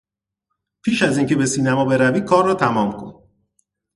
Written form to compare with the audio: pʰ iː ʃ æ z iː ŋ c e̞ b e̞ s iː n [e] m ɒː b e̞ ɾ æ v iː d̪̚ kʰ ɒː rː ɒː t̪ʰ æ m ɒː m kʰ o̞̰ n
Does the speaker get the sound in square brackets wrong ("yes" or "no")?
yes